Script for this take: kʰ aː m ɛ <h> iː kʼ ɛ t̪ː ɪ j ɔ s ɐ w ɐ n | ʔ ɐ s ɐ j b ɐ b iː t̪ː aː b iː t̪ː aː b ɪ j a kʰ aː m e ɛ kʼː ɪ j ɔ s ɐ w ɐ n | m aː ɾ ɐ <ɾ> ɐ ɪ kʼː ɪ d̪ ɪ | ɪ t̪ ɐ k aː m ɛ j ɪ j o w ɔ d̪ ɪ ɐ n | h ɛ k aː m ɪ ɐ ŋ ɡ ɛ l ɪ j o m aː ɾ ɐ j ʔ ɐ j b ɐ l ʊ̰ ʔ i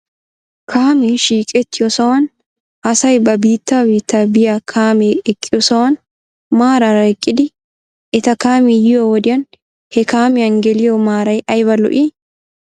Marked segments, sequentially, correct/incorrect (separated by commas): incorrect, correct